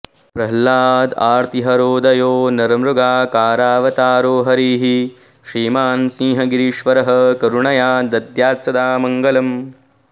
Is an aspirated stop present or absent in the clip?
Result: absent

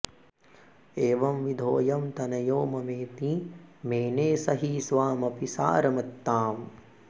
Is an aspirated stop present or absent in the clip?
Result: absent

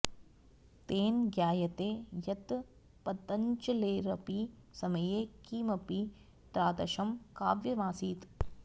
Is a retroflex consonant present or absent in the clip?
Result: absent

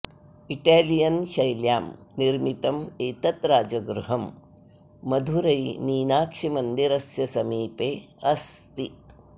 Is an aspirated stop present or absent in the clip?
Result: absent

